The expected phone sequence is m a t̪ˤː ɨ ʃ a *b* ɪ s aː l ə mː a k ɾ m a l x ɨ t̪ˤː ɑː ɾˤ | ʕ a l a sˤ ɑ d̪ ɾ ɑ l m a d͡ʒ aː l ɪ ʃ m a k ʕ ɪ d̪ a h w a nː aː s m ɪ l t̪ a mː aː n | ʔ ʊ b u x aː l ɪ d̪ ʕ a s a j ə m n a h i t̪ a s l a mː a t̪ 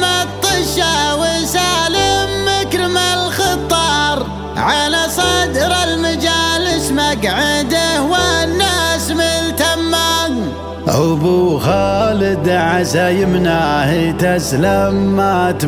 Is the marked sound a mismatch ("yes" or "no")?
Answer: yes